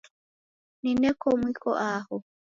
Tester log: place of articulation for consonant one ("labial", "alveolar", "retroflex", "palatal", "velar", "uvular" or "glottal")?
alveolar